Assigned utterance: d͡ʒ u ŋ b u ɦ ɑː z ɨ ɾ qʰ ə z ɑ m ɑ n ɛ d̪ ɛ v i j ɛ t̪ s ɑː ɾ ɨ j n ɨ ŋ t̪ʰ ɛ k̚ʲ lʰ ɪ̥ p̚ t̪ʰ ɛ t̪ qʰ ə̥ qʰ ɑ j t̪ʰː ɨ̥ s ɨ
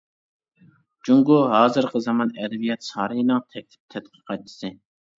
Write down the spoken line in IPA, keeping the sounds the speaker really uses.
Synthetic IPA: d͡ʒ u ŋ ɡ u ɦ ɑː z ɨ ɾ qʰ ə z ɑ m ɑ n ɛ d̪ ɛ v i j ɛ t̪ s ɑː ɾ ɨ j n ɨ ŋ t̪ʰ ɛ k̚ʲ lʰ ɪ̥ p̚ t̪ʰ ɛ t̪ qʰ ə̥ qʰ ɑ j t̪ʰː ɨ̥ s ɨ